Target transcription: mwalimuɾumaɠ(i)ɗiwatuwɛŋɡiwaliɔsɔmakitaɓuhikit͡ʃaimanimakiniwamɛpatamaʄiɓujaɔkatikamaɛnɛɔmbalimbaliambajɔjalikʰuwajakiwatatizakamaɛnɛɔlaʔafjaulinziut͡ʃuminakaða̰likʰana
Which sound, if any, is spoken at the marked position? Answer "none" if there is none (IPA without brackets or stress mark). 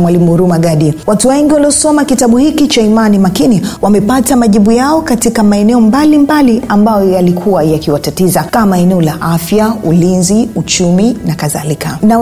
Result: a